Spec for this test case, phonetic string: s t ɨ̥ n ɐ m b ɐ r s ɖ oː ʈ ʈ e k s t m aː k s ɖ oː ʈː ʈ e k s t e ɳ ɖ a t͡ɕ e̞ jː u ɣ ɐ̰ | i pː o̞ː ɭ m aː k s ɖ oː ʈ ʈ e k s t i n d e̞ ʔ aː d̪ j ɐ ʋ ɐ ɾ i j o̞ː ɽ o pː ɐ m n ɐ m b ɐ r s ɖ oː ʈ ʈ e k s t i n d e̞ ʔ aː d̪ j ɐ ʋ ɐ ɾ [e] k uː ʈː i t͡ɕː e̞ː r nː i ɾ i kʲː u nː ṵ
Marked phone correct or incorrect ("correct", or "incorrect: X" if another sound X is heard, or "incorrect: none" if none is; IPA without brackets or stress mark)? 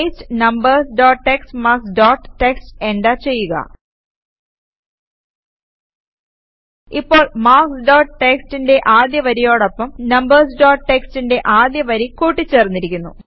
incorrect: i